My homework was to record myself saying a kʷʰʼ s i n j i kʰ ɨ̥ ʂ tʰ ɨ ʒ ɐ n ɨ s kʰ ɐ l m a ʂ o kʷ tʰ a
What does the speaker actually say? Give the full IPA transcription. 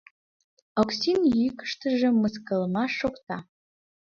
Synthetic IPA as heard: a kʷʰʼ s i n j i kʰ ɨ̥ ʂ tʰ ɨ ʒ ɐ m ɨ s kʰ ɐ l m a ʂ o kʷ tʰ a